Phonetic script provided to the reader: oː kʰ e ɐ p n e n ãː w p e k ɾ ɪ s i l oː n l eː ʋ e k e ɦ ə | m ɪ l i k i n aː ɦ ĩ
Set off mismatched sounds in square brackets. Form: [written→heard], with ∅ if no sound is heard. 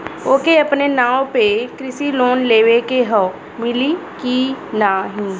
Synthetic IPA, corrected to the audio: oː [kʰ→k] e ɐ p n e n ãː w p e k ɾ ɪ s i l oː n l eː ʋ e k e ɦ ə | m ɪ l i k i n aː ɦ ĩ